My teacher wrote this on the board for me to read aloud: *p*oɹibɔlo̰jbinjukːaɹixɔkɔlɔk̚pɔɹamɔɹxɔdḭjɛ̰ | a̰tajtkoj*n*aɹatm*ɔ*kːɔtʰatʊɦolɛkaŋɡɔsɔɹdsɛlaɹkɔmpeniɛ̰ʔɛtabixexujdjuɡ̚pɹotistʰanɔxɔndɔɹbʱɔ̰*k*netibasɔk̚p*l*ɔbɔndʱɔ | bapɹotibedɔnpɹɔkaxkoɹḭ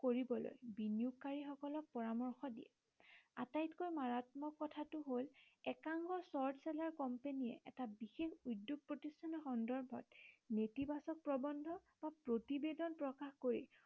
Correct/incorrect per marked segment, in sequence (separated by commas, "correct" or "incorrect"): incorrect, incorrect, correct, incorrect, incorrect